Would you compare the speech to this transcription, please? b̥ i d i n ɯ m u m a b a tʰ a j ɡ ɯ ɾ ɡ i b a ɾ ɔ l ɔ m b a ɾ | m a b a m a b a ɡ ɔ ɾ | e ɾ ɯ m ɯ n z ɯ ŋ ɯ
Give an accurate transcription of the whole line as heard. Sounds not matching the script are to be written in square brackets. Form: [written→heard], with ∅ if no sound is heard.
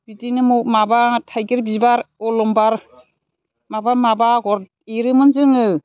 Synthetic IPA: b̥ i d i n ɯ m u m a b a tʰ a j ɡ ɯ ɾ [ɡ→b] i b a ɾ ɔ l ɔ m b a ɾ | m a b a m a b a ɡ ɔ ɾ | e ɾ ɯ m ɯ n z ɯ ŋ ɯ